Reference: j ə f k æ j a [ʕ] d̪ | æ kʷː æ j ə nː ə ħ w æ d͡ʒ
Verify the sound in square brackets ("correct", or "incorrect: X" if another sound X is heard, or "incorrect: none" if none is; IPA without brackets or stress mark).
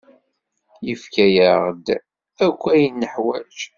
incorrect: ʁ